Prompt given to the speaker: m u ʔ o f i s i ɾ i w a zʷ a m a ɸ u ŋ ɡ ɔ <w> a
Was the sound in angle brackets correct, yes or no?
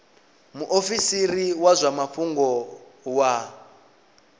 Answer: yes